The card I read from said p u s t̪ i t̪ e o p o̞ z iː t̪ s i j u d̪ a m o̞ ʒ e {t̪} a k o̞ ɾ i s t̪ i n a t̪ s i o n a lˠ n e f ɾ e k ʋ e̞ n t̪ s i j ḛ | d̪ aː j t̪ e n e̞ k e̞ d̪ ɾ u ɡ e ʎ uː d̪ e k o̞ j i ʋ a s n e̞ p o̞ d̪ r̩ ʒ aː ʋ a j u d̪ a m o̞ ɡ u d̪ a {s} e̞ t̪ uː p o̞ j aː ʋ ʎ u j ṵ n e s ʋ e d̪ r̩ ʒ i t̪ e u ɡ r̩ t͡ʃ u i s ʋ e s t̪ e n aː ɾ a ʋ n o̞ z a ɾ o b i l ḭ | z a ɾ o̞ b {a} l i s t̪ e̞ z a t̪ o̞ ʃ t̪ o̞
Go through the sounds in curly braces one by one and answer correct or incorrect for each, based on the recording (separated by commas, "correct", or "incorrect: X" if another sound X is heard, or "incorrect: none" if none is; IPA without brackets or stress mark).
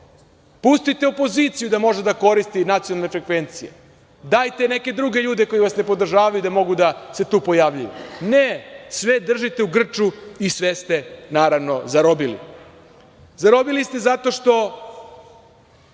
incorrect: d̪, correct, incorrect: i